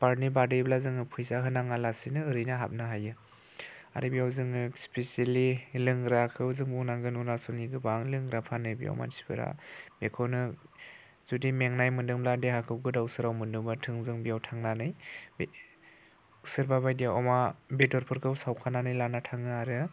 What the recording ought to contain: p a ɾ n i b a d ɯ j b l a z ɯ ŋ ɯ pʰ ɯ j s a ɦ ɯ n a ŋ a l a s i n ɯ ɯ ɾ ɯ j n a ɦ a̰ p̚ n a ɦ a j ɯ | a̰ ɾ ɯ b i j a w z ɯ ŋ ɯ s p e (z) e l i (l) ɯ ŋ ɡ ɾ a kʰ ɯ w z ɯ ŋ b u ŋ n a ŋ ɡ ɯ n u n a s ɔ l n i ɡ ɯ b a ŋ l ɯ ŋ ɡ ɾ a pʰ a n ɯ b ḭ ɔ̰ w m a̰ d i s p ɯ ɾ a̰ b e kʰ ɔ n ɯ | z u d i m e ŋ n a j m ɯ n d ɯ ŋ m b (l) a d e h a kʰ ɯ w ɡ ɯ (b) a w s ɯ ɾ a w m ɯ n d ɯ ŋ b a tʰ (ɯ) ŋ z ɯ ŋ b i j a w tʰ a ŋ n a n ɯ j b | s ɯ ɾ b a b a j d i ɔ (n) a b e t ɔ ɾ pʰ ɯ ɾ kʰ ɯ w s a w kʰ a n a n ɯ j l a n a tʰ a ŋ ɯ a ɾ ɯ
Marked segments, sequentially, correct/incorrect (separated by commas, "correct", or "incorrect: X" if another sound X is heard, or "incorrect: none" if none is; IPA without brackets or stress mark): incorrect: s, correct, correct, incorrect: d, correct, incorrect: m